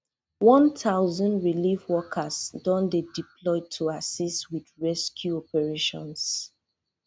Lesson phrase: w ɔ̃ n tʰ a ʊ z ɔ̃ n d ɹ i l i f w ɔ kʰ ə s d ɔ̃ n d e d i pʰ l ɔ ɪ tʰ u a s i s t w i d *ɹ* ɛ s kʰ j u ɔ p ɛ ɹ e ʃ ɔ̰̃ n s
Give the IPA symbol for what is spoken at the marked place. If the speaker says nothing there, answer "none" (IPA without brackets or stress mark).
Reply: ɹ